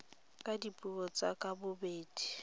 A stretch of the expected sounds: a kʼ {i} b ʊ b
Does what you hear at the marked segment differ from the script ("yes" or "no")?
yes